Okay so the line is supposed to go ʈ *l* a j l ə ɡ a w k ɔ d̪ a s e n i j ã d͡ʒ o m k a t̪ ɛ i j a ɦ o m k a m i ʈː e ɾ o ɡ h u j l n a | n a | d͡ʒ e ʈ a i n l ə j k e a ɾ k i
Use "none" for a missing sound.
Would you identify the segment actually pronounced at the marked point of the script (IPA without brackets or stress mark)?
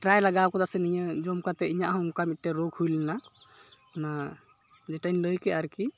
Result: ɾ